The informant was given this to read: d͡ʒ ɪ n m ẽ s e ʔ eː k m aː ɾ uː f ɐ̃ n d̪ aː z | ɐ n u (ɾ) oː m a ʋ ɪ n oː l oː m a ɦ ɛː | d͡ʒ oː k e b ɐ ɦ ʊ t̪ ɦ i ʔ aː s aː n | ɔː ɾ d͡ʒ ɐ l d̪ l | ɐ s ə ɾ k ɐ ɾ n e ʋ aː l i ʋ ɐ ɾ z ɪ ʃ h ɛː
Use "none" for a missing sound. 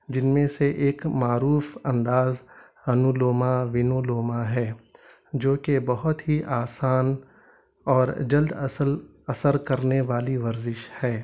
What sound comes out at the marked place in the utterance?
l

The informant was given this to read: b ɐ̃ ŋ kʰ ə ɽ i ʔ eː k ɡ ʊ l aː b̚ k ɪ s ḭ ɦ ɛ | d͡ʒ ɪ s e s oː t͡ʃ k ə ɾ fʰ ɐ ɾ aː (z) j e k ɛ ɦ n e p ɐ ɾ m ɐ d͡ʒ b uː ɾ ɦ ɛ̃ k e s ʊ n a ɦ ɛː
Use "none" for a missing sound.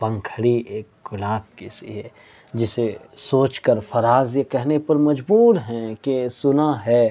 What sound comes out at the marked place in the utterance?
z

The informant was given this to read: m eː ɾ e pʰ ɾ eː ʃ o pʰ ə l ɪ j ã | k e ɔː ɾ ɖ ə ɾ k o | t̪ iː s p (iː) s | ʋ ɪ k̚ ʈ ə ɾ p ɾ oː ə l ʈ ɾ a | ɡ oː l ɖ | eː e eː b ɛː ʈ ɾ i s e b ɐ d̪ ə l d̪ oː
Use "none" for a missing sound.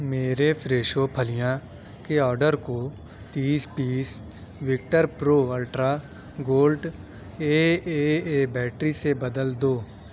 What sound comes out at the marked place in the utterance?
iː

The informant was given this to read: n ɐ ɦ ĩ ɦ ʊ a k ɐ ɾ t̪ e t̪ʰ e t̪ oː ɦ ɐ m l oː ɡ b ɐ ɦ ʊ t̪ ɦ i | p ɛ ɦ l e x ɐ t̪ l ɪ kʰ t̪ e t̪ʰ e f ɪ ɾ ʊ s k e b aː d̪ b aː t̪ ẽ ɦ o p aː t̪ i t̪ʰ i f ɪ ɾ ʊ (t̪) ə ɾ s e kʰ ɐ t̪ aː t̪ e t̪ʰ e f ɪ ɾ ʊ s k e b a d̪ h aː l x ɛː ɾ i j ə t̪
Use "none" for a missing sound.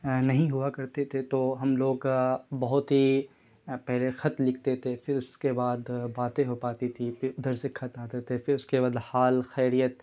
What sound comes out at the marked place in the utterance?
d̪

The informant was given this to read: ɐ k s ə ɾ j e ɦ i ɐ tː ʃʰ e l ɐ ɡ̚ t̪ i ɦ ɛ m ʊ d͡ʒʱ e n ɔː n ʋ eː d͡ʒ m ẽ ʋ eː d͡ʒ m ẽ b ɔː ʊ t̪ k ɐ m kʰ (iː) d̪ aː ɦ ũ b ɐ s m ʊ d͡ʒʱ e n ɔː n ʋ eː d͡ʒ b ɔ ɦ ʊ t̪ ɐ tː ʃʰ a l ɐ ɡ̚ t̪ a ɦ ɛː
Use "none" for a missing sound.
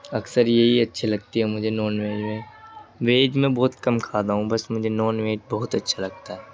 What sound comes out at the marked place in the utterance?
aː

